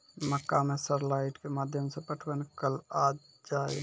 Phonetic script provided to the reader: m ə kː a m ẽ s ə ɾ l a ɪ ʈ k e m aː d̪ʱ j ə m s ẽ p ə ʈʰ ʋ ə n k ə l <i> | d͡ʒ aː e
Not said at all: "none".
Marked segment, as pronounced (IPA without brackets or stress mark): a